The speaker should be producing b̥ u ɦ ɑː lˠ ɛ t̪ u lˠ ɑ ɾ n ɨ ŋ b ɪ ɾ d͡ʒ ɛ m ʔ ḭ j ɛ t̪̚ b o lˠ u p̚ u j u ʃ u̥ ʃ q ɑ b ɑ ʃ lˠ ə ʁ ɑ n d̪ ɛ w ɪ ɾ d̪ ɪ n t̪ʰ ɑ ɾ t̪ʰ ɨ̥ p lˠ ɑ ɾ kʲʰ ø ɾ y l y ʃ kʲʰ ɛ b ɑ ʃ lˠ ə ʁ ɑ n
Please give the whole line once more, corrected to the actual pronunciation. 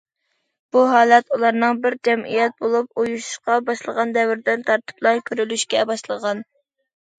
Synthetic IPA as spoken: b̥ u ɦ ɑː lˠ ɛ t̪ u lˠ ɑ ɾ n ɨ ŋ b ɪ ɾ d͡ʒ ɛ m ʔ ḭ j ɛ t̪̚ b o lˠ u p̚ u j u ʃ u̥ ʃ q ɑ b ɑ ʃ lˠ ə ʁ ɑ n d̪ ɛ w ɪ ɾ d̪ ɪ n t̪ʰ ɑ ɾ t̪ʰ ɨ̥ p lˠ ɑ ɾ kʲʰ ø ɾ y l y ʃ kʲ ɛ b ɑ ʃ lˠ ə ʁ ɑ n